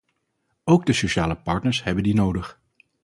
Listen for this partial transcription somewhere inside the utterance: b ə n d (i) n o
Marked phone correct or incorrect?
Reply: correct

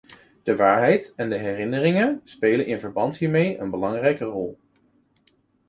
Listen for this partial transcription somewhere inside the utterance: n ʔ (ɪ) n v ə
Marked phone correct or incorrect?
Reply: correct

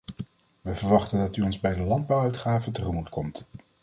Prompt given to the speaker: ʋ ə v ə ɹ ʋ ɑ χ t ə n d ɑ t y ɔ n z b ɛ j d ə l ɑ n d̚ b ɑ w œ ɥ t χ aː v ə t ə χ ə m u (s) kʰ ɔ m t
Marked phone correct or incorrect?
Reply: incorrect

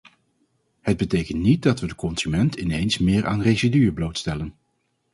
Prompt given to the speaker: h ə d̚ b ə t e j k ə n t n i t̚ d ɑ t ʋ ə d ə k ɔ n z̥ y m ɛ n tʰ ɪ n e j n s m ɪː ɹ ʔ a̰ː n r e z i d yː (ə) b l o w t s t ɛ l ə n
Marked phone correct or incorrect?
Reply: correct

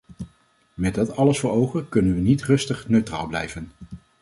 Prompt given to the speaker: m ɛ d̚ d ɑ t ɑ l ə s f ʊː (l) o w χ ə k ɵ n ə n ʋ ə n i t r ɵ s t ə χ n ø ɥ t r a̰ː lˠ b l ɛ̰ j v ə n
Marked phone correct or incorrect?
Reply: incorrect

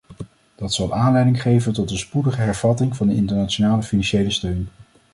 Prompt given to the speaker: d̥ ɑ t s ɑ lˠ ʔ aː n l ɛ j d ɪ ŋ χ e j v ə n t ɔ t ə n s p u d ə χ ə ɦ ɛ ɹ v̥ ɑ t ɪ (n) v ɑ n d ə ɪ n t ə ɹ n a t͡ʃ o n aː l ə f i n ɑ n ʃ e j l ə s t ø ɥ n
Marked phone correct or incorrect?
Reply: incorrect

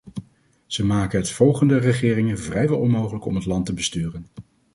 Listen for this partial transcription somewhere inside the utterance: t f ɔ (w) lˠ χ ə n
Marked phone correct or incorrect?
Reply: incorrect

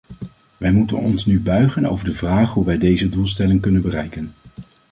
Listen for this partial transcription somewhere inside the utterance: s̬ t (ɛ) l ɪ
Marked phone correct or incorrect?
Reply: correct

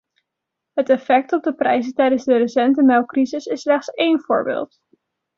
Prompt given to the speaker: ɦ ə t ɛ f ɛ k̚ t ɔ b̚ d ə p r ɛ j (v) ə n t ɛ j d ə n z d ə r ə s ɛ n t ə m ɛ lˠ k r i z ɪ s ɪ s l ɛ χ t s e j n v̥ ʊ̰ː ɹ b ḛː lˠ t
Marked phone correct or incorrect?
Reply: incorrect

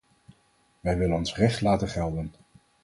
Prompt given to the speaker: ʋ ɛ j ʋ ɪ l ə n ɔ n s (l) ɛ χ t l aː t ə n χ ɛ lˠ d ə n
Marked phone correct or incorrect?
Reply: incorrect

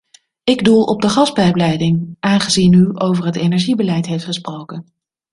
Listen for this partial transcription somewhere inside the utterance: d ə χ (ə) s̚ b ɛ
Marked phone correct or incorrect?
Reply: incorrect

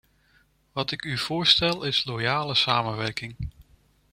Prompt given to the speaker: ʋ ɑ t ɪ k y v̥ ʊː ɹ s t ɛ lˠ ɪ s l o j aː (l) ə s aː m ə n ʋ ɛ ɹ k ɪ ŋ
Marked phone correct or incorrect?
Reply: correct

